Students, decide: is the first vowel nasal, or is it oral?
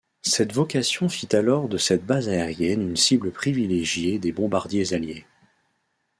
oral